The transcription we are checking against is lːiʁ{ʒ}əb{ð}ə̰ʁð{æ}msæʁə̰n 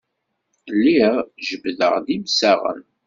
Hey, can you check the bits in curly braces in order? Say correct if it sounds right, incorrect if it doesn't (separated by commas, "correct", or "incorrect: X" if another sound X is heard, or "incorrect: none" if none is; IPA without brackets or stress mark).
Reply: correct, correct, incorrect: i